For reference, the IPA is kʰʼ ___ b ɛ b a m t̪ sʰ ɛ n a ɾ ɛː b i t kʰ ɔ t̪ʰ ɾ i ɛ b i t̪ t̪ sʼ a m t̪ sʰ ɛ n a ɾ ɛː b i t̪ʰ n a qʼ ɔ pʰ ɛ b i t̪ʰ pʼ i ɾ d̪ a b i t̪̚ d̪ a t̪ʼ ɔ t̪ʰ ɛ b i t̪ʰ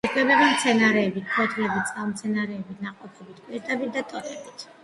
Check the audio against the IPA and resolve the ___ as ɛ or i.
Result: ɛ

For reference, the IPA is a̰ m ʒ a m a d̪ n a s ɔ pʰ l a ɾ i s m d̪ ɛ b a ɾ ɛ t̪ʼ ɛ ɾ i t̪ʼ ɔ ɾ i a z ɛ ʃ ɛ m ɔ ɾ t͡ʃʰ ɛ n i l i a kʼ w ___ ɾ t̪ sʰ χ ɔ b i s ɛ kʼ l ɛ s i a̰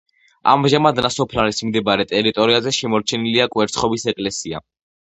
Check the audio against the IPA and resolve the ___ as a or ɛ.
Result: ɛ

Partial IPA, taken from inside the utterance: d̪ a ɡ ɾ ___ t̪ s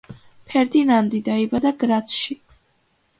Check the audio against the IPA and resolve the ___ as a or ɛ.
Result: a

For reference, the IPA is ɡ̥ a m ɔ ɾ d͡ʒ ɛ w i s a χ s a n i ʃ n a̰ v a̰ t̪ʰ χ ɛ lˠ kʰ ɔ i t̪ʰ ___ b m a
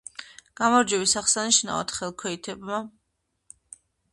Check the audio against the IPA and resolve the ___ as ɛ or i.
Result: ɛ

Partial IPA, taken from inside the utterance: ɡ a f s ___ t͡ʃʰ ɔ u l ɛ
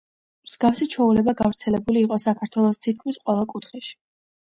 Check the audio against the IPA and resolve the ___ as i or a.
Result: i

